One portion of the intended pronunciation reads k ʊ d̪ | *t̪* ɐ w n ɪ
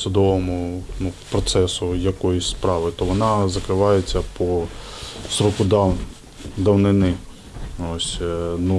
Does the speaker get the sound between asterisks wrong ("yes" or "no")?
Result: yes